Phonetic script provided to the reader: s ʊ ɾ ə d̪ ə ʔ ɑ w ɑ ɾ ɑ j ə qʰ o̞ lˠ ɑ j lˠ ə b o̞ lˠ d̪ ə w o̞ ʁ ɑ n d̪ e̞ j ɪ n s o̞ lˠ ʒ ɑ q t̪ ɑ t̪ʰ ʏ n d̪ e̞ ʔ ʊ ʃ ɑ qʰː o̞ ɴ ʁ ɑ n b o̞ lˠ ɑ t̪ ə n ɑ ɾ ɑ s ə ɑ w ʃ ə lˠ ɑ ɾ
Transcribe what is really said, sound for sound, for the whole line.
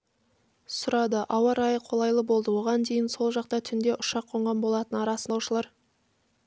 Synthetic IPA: s ʊ ɾ ɑ d̪ ə ʔ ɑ w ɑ ɾ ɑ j ə qʰ o̞ lˠ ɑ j lˠ ə b o̞ lˠ d̪ ə w o̞ ʁ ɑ n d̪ e̞ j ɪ n s o̞ lˠ ʒ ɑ q t̪ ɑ t̪ʰ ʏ n d̪ e̞ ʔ ʊ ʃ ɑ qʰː o̞ ɴ ʁ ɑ n b o̞ lˠ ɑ t̪ ə n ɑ ɾ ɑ s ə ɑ w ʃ ə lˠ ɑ ɾ

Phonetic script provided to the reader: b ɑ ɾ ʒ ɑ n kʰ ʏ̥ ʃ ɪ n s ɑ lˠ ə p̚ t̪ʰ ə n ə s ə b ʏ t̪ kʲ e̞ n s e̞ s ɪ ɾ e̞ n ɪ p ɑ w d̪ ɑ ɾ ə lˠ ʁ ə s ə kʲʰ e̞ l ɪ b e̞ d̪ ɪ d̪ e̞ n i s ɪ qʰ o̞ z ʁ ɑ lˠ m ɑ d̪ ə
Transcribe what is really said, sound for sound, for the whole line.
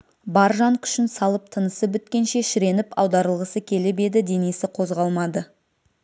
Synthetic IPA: b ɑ ɾ ʒ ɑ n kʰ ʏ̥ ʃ ɪ n s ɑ lˠ ə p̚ t̪ʰ ə n ə s ə b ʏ t̪ kʲ e̞ n ʃ e̞ ʃ ɪ ɾ e̞ n ɪ p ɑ w d̪ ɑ ɾ ə lˠ ʁ ə s ə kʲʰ e̞ l ɪ b e̞ d̪ ɪ d̪ e̞ n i s ɪ qʰ o̞ z ʁ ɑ lˠ m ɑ d̪ ə

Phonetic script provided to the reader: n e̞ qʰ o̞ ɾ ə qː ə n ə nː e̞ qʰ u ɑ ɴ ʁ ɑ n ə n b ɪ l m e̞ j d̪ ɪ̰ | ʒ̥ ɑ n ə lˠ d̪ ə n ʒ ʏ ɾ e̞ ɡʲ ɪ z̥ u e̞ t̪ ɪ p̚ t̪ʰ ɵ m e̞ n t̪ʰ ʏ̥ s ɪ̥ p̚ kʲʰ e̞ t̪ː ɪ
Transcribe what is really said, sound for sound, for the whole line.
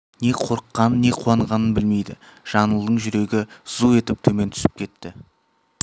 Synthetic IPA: n e̞ qʰ o̞ ɾ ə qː ɑ n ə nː e̞ qʰ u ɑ ɴ ʁ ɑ n ə n b ɪ l m e̞ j d̪ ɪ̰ | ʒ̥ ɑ n ə lˠ d̪ ə ɴ ʒ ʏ ɾ e̞ ɡʲ ɪ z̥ u e̞ t̪ ɪ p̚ t̪ʰ ɵ m e̞ n t̪ʰ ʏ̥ s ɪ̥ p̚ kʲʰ e̞ t̪ː ɪ

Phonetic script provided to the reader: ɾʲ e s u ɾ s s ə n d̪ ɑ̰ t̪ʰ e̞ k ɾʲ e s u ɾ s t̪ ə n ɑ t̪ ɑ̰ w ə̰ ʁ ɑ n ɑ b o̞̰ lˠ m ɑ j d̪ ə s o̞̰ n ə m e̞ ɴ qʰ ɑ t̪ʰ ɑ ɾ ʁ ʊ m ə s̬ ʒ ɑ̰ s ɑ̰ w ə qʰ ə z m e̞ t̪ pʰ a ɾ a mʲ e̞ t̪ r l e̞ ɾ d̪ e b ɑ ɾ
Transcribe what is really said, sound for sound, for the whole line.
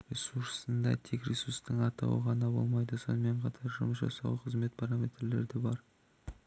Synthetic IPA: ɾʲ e s u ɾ s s ə n d̪ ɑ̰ t̪ʰ e̞ k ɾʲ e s u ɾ s t̪ ə ɴ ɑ t̪ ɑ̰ w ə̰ ʁ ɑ n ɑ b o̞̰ lˠ m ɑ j d̪ ə s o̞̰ n ə m e̞ ɴ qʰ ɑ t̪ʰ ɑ ɾ ʒ ʊ m ə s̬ ʒ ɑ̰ s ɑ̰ w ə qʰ ə z m e̞ t̪ pʰ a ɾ a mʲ e̞ t̪ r l e̞ ɾ d̪ e b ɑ ɾ

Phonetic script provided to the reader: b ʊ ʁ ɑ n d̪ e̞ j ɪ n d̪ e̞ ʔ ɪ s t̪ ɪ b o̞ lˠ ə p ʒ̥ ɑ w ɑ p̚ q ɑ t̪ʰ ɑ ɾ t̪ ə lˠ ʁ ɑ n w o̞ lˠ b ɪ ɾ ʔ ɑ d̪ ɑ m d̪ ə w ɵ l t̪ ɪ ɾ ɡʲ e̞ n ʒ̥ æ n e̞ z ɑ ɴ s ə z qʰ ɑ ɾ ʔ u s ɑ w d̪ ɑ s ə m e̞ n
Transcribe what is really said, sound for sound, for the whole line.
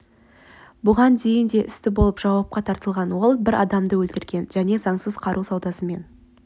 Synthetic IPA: b ʊ ʁ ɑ n d̪ e̞ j ɪ n d̪ e̞ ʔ ɪ s t̪ ɪ b o̞ lˠ ə p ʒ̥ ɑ w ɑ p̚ q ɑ t̪ʰ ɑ ɾ t̪ ə lˠ ʁ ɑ n w o̞ lˠ b ɪ ɾ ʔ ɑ d̪ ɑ m d̪ ə w ɵ l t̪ ɪ ɾ ɡʲ e̞ n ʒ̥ æ n e̞ z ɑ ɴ s ə z qʰ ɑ ɾ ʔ u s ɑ w d̪ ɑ s ə m e̞ n

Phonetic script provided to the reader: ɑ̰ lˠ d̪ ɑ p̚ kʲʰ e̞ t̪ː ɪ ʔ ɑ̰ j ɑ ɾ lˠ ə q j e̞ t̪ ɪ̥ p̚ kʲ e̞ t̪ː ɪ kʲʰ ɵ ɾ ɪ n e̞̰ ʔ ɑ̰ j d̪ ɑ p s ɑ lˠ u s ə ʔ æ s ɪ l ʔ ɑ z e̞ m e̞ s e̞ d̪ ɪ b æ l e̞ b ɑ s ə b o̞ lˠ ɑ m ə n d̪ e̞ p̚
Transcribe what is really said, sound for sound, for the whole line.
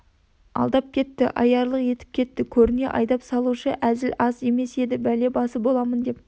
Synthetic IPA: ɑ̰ lˠ d̪ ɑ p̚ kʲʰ e̞ t̪ː ɪ ʔ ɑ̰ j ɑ ɾ lˠ ə q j e̞ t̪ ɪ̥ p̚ kʲ e̞ t̪ː ɪ kʲʰ ɵ ɾ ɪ n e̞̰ ʔ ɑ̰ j d̪ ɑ p s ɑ lˠ u ʃ ə ʔ æ z ɪ l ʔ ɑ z e̞ m e̞ s e̞ d̪ ɪ b æ l e̞ b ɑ s ə b o̞ lˠ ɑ m ə n d̪ e̞ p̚

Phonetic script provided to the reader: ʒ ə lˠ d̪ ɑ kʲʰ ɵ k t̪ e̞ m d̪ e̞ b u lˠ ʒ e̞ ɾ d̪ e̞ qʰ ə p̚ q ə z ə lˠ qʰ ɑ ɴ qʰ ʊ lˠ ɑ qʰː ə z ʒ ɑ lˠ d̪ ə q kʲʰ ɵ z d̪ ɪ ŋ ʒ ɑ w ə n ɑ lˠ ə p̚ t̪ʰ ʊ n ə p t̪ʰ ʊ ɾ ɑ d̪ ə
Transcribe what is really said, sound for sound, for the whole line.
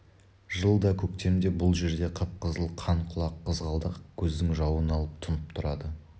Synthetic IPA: ʒ ə lˠ d̪ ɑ kʲʰ ɵ k t̪ e̞ m d̪ e̞ b ʊ lˠ ʒ e̞ ɾ d̪ e̞ qʰ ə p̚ q ə z ə lˠ qʰ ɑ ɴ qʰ ʊ lˠ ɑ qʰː ə z ʁ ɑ lˠ d̪ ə q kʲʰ ɵ z d̪ ɪ ŋ ʒ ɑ w ə n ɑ lˠ ə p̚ t̪ʰ ʊ n ə p t̪ʰ ʊ ɾ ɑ d̪ ə

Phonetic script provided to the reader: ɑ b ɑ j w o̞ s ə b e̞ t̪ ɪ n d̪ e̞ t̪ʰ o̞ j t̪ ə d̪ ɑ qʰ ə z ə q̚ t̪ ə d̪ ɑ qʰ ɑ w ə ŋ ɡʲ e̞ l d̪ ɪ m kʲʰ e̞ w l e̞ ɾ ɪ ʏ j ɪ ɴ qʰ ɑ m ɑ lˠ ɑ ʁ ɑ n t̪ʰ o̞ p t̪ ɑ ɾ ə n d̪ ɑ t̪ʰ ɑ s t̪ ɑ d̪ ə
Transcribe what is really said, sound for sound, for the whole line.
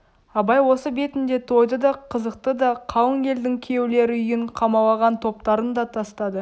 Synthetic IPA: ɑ b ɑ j w o̞ s ə b e̞ t̪ ɪ n d̪ e̞ t̪ʰ o̞ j d̪ ə d̪ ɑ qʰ ə z ə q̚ t̪ ə d̪ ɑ qʰ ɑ w ə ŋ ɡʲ e̞ l d̪ ɪ ŋ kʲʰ e̞ w l e̞ ɾ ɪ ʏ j ɪ ɴ qʰ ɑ m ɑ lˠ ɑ ʁ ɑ n t̪ʰ o̞ p t̪ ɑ ɾ ə n d̪ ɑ t̪ʰ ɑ s t̪ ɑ d̪ ə

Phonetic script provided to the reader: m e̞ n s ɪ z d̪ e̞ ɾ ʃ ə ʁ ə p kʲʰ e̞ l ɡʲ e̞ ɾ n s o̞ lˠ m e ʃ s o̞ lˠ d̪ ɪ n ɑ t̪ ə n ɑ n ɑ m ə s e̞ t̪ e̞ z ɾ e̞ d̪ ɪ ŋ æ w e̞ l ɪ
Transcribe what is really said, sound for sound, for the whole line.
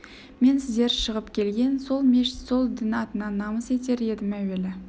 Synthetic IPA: m e̞ n s ɪ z d̪ e̞ ɾ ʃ ə ʁ ə p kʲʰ e̞ l ɡʲ e̞ n s o̞ lˠ m e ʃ s o̞ lˠ d̪ ɪ n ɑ t̪ ə n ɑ n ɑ m ə s e̞ t̪ e̞ ɾ e̞ d̪ ɪ m æ w e̞ l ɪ

